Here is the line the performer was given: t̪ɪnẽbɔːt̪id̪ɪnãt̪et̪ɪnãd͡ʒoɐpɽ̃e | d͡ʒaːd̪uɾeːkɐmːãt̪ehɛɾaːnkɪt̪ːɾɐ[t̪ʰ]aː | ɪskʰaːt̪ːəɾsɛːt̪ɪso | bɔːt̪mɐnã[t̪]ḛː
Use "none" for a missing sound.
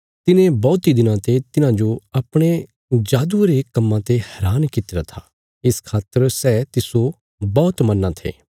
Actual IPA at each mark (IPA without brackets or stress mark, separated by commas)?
t̪ʰ, t̪ʰ